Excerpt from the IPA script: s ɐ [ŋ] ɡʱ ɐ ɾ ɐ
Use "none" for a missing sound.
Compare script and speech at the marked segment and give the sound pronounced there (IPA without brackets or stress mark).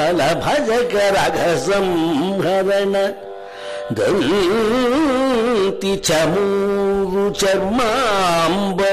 m